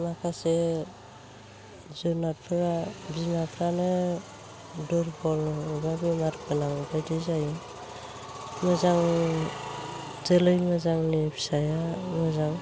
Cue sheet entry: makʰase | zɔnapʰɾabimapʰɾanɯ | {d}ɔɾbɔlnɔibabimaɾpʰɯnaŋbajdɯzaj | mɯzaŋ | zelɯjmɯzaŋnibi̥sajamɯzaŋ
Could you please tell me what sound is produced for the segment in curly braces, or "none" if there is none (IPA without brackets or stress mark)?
d